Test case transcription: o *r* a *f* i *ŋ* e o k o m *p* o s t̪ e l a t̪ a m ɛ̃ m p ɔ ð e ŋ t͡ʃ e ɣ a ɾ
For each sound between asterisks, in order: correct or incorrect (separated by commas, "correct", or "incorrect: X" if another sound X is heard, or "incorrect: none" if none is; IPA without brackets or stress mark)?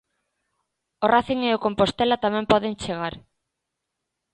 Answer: correct, incorrect: θ, correct, correct